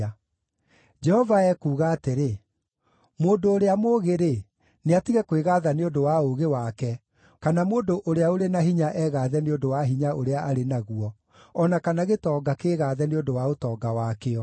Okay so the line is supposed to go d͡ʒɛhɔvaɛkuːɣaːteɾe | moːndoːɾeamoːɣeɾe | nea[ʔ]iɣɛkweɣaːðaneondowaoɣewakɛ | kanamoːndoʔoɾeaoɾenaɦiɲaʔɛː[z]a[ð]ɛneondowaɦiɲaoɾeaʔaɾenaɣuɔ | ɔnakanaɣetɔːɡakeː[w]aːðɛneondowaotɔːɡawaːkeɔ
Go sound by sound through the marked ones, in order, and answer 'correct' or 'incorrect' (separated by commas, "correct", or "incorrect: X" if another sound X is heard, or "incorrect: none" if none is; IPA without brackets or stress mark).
incorrect: t, incorrect: ɣ, correct, incorrect: ɣ